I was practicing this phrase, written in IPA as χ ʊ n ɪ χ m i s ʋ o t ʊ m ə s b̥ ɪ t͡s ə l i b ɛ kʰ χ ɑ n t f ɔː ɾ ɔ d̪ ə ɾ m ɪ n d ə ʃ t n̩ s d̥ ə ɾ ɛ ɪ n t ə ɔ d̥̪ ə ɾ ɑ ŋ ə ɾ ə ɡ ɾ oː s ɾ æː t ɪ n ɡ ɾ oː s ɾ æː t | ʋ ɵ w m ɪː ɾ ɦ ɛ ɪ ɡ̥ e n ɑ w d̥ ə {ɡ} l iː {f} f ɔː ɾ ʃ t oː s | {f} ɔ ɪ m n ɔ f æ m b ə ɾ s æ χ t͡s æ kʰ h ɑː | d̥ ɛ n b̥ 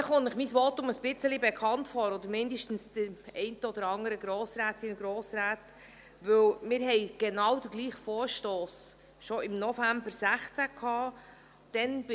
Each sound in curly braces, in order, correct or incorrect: correct, incorrect: χ, incorrect: ʃ

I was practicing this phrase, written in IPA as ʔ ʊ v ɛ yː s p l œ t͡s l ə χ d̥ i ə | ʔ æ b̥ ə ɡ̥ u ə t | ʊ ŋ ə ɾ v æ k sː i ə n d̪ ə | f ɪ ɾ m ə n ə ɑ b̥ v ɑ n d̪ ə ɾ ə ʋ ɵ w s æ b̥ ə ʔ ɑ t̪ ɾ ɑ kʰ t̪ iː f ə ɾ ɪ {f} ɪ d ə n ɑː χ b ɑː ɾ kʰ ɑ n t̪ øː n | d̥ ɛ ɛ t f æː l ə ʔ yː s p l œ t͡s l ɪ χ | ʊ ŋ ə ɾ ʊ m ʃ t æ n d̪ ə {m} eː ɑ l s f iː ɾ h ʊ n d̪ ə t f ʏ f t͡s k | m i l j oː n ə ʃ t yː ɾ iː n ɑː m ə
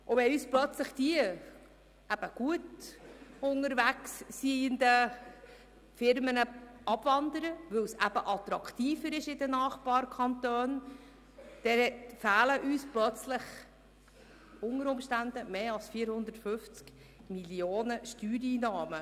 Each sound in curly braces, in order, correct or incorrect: incorrect: ʃ, correct

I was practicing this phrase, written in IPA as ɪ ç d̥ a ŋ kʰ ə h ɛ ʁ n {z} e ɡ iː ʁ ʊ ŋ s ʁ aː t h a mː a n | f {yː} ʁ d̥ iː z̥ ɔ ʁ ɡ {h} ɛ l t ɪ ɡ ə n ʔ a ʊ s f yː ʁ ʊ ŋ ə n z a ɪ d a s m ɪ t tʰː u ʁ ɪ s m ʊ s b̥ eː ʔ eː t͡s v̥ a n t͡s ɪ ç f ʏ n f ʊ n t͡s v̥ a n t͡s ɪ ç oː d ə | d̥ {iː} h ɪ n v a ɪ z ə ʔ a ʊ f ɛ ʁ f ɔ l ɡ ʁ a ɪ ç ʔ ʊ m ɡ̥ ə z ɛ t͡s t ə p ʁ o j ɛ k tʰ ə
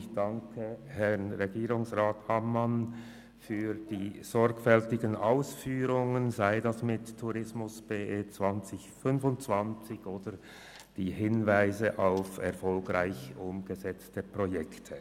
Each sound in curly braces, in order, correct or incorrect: incorrect: ʁ, correct, incorrect: f, correct

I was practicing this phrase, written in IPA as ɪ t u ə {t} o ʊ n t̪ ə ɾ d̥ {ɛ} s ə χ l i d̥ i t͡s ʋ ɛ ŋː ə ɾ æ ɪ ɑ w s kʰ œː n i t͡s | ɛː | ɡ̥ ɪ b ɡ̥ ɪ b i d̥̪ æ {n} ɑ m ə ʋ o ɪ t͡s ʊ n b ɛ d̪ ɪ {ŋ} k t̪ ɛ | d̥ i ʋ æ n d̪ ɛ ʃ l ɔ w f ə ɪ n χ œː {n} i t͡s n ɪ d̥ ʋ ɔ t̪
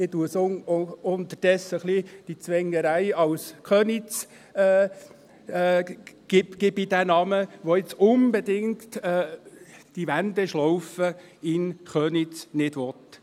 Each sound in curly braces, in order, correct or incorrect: incorrect: s, correct, correct, correct, correct

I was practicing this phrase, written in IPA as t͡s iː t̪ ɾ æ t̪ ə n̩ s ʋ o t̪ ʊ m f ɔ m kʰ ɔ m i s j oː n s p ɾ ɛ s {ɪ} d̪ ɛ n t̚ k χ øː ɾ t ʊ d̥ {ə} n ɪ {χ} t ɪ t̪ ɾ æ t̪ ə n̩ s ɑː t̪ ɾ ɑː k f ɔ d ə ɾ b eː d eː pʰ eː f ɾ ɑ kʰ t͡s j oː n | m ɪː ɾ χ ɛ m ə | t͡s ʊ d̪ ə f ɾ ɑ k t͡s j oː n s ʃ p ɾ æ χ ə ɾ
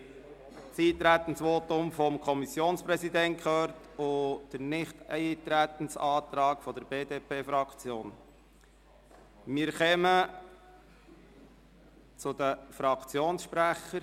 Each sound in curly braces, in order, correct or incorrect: incorrect: i, correct, correct

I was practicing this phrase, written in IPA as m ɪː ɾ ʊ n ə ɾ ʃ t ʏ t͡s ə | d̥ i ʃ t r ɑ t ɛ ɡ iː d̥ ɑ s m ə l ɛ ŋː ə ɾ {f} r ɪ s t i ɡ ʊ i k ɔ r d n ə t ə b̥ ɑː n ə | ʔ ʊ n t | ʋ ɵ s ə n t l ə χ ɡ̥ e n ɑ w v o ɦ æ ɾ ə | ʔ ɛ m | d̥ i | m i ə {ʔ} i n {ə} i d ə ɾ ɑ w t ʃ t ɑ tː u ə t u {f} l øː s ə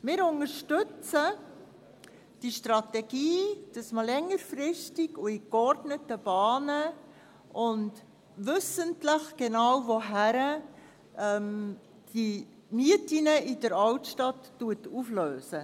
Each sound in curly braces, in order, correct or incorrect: correct, incorrect: t, correct, correct

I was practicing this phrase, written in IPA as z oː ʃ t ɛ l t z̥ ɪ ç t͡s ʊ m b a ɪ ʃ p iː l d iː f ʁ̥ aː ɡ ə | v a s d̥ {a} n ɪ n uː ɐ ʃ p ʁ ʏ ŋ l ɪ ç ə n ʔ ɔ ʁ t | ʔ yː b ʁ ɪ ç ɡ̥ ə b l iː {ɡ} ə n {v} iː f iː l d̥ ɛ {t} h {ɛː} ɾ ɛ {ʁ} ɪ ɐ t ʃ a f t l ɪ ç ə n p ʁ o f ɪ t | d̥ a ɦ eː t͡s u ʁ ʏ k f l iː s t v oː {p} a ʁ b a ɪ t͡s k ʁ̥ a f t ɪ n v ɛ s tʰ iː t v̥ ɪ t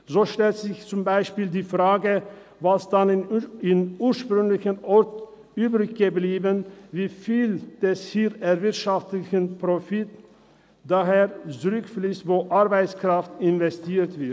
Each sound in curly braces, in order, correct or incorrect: correct, incorrect: b, correct, incorrect: s, incorrect: iː, incorrect: v, incorrect: ʔ

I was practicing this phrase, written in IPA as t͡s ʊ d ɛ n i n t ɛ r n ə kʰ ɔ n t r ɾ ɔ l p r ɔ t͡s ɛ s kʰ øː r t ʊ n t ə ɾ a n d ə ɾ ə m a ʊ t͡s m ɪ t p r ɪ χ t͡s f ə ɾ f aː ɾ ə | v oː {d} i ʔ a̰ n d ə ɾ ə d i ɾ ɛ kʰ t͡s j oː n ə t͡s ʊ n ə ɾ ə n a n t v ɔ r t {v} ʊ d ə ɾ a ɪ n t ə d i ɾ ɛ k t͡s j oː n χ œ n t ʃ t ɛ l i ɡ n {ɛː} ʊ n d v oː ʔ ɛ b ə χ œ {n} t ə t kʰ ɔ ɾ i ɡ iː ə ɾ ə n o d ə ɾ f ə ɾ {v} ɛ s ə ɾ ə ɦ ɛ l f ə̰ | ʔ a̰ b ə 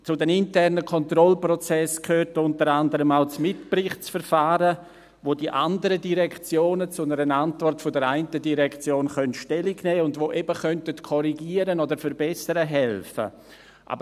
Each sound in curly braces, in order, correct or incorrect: correct, incorrect: f, correct, correct, incorrect: b

